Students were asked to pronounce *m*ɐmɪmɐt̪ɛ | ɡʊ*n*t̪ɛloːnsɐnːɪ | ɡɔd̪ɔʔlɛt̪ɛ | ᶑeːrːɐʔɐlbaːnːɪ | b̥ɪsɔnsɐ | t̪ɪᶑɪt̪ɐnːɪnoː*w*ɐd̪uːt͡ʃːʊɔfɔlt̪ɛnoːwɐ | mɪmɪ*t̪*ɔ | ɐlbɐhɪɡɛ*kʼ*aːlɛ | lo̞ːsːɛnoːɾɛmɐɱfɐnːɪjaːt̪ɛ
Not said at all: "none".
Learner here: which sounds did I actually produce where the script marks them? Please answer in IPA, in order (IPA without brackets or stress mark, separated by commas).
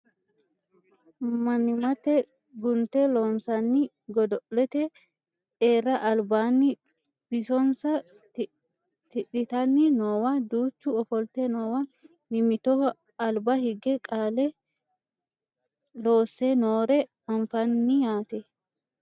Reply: m, n, w, t̪, kʼ